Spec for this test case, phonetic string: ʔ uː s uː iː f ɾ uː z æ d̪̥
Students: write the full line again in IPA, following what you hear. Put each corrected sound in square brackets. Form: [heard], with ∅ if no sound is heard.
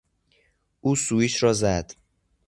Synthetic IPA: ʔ uː s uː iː [ʃ] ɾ [ɒː] z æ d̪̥